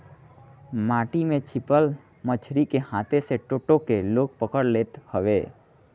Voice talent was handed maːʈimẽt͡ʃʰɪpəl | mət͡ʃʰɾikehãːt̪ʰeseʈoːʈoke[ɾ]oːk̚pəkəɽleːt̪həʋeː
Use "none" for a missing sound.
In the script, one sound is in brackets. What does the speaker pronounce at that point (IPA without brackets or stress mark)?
l